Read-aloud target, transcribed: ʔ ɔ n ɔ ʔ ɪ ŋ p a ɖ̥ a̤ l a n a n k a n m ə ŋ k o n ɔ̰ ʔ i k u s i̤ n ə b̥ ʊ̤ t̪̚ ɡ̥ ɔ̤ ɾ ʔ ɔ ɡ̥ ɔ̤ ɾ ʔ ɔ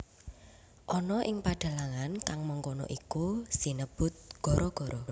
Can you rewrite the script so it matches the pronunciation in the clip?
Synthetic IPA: ʔ ɔ n ɔ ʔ ɪ ŋ p a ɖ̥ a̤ l a ŋ a n k a ŋ m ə ŋ k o n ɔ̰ ʔ i k u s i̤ n ə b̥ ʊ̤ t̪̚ ɡ̥ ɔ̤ ɾ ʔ ɔ ɡ̥ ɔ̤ ɾ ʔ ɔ